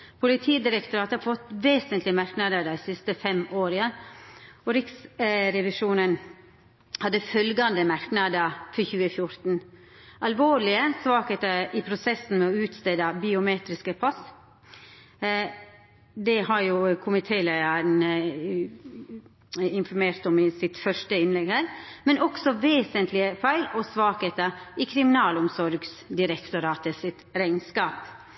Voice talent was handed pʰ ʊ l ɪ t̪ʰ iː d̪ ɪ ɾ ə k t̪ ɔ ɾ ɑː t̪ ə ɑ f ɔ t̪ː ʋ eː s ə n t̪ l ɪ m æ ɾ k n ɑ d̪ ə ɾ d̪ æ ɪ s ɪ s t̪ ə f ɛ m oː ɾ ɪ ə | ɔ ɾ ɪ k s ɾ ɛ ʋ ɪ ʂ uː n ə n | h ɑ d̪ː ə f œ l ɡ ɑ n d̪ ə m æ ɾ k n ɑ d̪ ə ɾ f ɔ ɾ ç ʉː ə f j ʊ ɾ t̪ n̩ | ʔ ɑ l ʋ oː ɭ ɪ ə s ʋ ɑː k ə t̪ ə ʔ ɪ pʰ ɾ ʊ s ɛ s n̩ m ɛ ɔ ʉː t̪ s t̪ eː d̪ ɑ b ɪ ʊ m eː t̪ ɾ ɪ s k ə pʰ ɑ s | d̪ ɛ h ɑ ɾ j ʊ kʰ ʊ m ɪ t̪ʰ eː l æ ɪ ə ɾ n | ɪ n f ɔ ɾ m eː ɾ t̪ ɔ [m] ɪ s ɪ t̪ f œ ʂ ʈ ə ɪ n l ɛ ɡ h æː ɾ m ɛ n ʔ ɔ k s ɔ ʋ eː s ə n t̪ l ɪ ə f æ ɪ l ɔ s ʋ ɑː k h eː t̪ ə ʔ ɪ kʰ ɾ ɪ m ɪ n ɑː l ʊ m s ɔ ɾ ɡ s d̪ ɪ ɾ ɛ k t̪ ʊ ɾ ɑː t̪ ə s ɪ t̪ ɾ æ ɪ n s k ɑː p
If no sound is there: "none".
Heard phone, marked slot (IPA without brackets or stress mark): m